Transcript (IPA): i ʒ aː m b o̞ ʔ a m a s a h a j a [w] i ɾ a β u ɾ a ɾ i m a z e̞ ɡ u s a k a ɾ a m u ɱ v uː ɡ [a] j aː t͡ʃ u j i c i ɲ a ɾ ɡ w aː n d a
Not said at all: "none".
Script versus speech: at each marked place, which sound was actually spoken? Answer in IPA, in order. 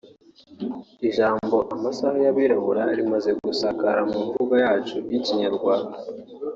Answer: β, a

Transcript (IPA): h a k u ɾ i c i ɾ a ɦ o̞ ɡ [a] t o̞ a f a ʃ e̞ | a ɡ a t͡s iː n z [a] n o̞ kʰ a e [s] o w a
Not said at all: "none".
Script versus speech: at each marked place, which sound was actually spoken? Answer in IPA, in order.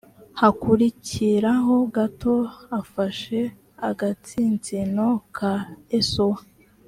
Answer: a, i, s

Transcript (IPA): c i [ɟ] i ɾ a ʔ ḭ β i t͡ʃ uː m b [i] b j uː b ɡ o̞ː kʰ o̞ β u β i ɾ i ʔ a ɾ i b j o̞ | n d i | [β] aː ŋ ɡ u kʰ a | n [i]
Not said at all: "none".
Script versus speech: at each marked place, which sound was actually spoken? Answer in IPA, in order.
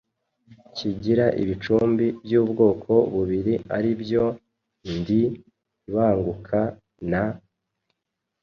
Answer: ɟ, i, β, a

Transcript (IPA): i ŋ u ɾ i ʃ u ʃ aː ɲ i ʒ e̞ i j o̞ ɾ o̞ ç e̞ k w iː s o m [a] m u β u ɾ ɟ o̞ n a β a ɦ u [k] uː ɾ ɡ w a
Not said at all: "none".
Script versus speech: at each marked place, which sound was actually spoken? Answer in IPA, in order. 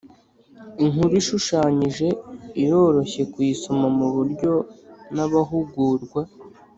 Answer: a, ɡ

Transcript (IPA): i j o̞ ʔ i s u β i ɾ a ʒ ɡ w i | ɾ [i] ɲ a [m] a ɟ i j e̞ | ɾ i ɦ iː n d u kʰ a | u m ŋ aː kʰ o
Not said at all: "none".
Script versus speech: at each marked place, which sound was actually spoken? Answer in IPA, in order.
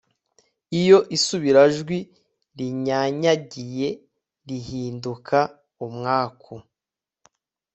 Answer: i, ɲ

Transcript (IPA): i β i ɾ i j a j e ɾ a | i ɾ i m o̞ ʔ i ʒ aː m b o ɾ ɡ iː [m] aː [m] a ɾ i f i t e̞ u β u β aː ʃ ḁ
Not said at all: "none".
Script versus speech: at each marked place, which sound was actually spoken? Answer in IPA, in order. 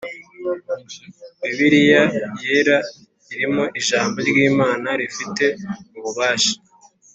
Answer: m, n

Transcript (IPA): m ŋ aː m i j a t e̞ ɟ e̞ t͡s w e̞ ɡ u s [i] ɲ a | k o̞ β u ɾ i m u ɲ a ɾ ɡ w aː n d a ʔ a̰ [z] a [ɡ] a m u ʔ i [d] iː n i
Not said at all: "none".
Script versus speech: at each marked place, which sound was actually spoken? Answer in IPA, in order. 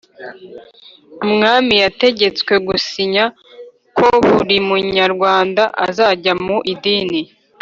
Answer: i, z, ɟ, d

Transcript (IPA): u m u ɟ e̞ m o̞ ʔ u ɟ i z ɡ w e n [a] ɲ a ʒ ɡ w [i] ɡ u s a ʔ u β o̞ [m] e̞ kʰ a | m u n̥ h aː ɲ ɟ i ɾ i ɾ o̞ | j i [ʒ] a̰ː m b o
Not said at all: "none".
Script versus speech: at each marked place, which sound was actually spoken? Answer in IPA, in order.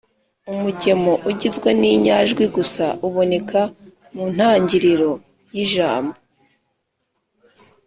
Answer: i, i, n, ʒ

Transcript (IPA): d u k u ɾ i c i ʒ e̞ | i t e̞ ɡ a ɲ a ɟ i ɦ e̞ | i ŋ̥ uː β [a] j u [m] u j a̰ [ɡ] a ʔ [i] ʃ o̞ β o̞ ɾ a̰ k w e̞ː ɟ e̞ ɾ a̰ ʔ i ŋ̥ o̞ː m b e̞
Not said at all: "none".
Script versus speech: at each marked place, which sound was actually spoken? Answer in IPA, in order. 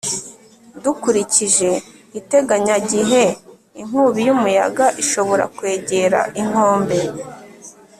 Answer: i, m, ɡ, i

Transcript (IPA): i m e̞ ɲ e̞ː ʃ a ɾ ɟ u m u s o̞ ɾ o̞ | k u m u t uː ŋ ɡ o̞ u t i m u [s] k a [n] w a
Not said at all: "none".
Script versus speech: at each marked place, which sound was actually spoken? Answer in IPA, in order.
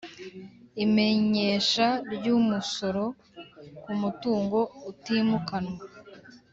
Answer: none, n

